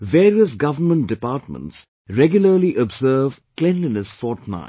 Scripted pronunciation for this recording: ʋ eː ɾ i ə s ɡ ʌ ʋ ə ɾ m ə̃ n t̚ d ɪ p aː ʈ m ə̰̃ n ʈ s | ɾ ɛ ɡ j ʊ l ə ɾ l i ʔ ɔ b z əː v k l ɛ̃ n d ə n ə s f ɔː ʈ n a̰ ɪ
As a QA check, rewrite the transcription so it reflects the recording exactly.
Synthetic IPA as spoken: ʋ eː ɾ i ə s ɡ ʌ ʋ ə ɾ m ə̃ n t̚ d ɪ p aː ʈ m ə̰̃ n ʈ s | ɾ ɛ ɡ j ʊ l ə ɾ l i ʔ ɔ b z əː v k l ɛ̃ n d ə n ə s f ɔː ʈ n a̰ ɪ